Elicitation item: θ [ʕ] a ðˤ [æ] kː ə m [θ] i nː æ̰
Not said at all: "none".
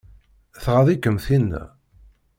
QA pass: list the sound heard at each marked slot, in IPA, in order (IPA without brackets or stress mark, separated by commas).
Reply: ʁ, i, θ